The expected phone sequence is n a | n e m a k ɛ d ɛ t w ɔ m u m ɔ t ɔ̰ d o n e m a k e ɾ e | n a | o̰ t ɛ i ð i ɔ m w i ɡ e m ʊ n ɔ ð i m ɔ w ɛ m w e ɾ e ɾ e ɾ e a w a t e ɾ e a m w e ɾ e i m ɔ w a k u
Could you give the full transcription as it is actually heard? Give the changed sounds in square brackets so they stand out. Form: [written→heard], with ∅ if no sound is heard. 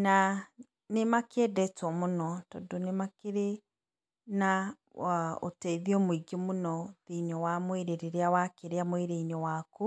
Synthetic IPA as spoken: n a | n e m a k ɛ d ɛ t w ɔ m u [m→n] ɔ t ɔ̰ d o n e m a k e ɾ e | n a | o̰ t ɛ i ð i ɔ m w i ɡ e m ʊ n ɔ ð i [m→ɲ] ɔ w [ɛ→a] m w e ɾ e ɾ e ɾ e a w a [t→k] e ɾ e a m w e ɾ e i [m→ɲ] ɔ w a k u

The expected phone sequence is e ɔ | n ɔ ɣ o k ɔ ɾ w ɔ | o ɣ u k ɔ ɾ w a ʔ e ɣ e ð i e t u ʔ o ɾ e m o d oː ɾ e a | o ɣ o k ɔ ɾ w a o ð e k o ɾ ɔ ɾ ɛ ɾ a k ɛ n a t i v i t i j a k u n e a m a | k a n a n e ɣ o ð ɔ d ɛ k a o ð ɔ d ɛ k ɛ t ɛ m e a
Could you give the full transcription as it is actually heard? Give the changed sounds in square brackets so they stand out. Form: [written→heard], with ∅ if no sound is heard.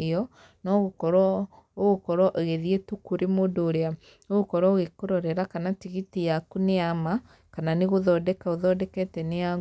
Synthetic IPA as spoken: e ɔ | n ɔ ɣ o k ɔ ɾ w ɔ | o ɣ [u→o] k ɔ ɾ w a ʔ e ɣ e ð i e t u [ʔ→k] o ɾ e m o d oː ɾ e a | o ɣ o k ɔ ɾ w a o [ð→ɣ] e k o ɾ ɔ ɾ ɛ ɾ a k [ɛ→a] n a t i [v→ɣ] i t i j a k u n e a m a | k a n a n e ɣ o ð ɔ d ɛ k a o ð ɔ d ɛ k ɛ t ɛ [m→n] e a

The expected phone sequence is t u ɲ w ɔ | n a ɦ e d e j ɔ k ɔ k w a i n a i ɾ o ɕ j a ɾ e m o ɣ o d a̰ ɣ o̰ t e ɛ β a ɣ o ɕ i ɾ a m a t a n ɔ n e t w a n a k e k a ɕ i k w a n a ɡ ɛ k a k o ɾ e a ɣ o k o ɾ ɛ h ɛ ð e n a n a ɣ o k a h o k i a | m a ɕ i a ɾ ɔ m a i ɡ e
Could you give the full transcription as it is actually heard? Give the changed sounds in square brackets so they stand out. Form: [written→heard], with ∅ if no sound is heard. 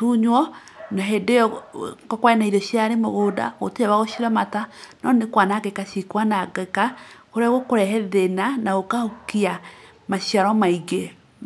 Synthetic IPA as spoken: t u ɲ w ɔ | n a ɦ e d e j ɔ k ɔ k w a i n a i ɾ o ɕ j a ɾ e m o ɣ o d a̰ ɣ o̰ t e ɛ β a ɣ o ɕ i ɾ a m a t a n ɔ n e [t→k] w a n a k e k a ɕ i k w a n a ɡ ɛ k a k o ɾ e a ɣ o k o ɾ ɛ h ɛ ð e n a n a ɣ o k a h o k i a | m a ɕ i a ɾ ɔ m a i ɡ e

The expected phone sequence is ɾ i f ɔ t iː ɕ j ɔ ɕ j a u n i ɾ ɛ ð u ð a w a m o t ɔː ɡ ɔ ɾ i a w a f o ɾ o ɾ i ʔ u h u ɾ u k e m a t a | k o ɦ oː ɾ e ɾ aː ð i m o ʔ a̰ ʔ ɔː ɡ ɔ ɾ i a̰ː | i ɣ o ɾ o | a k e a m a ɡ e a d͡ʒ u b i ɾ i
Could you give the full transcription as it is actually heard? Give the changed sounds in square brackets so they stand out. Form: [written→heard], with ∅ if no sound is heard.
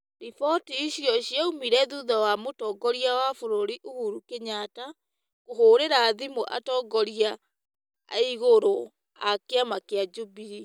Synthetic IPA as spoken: ɾ i f ɔ t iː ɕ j ɔ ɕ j a u [n→m] i ɾ ɛ ð u ð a w a m o t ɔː ɡ ɔ ɾ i a w a f o ɾ o ɾ i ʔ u h u ɾ u k e [m→ɲ] a t a | k o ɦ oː ɾ e ɾ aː ð i m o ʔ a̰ [ʔ→t] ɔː ɡ ɔ ɾ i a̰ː | i ɣ o ɾ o | a k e a m a [ɡ→k] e a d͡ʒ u b i ɾ i

